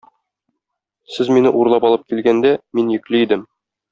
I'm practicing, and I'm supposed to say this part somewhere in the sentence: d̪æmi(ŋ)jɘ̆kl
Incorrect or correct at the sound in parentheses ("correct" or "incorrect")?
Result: incorrect